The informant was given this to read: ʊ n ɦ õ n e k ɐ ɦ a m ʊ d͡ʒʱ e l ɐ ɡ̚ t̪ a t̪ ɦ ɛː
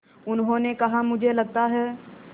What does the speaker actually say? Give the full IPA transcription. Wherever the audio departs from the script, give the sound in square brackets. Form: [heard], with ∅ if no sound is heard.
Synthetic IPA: ʊ n ɦ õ n e k ɐ ɦ a m ʊ d͡ʒʱ e l ɐ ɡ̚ t̪ a [∅] ɦ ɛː

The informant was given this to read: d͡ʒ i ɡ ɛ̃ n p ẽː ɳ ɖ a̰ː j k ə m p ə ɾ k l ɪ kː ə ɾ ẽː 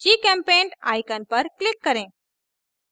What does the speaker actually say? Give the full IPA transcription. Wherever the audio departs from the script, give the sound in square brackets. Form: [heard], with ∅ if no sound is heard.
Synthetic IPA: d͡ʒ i [k] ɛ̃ [m] p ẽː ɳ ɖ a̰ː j k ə [n] p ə ɾ k l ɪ kː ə ɾ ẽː

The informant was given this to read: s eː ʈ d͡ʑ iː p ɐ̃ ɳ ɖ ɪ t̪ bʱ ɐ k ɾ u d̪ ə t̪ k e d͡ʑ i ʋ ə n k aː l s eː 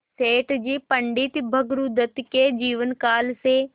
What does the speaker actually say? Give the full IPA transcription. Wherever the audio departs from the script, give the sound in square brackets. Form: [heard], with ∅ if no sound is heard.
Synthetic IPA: s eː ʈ d͡ʑ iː p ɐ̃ ɳ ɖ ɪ t̪ bʱ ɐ [ɡ] ɾ u d̪ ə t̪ k e d͡ʑ [iː] ʋ ə n k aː l s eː

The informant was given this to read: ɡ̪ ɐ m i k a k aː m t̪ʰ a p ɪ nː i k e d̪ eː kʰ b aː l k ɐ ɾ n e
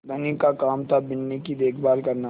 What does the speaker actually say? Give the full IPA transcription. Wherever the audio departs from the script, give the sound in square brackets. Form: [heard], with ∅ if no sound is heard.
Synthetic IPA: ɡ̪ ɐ [n] i k a k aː m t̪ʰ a [b] ɪ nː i k [i] d̪ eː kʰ b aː l k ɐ ɾ n [a]

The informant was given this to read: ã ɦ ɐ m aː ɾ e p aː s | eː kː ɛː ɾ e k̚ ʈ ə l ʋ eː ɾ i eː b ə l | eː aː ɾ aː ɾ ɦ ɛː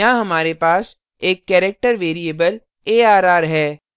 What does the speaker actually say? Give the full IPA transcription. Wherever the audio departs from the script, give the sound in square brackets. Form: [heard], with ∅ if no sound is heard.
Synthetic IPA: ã ɦ ɐ m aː ɾ e p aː s | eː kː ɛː ɾ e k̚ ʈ ə [ɾ] ʋ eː ɾ i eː b ə l | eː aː ɾ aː ɾ ɦ ɛː

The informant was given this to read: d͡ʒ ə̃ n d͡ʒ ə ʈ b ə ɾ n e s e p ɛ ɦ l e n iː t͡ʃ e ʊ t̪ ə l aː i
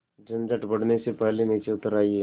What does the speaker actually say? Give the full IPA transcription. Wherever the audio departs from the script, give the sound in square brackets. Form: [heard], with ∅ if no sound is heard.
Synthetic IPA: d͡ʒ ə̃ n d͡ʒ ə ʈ b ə [ɽ] n e s e p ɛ ɦ l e n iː t͡ʃ e ʊ t̪ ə [ɾ] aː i

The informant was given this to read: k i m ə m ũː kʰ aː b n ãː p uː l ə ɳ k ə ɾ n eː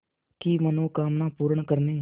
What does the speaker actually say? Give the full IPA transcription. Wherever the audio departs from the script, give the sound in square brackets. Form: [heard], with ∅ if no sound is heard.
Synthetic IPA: k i m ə [n] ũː [k] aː [m] n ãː p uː [ɾ] ə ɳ k ə ɾ n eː

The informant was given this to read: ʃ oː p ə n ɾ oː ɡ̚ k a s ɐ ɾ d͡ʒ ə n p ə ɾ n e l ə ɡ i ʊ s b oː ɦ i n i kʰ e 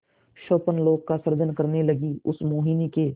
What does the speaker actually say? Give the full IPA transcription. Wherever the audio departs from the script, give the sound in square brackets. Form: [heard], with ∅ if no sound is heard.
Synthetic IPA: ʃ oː p ə n [l] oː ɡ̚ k a s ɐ ɾ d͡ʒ ə n [k] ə ɾ n e l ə ɡ i ʊ s [m] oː ɦ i n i [k] e

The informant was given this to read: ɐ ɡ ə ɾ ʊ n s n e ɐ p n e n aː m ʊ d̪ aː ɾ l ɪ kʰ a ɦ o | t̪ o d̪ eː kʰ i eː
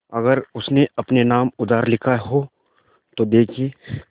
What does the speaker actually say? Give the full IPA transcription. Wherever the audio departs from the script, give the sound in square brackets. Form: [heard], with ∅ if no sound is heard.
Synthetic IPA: ɐ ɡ ə ɾ ʊ [∅] s n e ɐ p n e n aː m ʊ d̪ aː ɾ l ɪ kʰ a ɦ o | t̪ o d̪ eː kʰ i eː

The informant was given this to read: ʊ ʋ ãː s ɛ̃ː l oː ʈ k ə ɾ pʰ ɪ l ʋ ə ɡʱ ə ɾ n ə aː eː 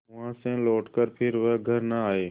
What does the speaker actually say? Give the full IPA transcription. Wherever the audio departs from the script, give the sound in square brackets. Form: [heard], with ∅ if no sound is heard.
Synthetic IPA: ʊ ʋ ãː s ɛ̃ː l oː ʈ k ə ɾ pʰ ɪ [ɾ] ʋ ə ɡʱ ə ɾ n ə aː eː

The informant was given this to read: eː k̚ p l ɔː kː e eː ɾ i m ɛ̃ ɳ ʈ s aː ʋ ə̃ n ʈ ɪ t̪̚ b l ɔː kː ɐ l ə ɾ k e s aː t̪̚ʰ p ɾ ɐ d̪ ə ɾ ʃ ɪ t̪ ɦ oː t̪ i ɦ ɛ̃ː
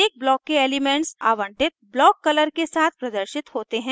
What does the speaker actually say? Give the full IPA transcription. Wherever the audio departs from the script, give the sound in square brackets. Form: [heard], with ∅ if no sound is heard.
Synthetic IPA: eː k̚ [b] l ɔː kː e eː [l] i m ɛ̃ ɳ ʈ s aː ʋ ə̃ [ɳ] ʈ ɪ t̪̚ b l ɔː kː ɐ l ə ɾ k e s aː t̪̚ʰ p ɾ ɐ d̪ ə ɾ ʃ ɪ t̪ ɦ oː t̪ [e] ɦ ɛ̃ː

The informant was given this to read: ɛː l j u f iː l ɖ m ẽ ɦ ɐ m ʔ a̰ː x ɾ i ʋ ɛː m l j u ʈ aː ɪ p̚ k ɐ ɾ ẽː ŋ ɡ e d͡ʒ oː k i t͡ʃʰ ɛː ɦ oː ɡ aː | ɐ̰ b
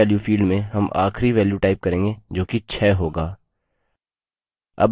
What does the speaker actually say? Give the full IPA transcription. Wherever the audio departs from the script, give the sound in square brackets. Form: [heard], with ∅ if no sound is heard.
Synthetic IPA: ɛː l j u f iː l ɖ m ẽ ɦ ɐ m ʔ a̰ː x ɾ i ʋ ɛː [∅] l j u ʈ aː ɪ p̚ k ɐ ɾ ẽː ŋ ɡ e d͡ʒ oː k i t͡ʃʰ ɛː ɦ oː ɡ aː | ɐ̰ b

